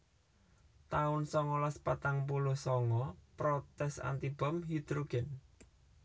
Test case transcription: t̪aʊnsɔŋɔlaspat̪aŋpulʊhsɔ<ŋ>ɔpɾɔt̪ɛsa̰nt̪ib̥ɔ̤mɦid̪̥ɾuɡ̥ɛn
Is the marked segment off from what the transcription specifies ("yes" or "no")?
no